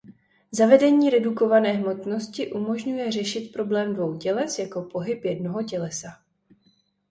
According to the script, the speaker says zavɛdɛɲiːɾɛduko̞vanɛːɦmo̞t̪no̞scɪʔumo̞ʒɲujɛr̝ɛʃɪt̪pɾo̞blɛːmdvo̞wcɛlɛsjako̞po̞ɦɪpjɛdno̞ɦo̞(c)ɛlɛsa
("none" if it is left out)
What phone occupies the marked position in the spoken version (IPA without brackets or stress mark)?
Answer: c